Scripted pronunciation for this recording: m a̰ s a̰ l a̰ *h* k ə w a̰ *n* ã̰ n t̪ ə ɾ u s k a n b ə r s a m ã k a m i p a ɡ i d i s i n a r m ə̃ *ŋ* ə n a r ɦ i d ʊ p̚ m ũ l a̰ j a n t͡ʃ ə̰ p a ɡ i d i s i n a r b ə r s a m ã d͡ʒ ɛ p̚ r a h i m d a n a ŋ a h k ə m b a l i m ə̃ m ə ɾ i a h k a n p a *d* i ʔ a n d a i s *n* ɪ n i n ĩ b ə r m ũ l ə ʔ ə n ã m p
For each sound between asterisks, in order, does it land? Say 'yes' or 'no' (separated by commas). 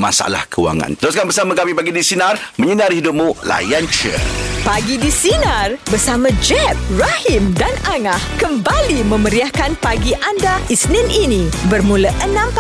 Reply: yes, no, no, no, yes